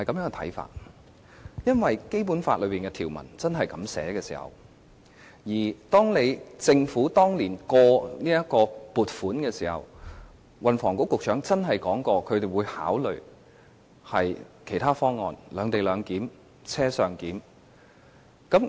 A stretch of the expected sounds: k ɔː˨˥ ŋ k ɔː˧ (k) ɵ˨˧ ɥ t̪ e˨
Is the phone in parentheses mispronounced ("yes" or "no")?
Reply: yes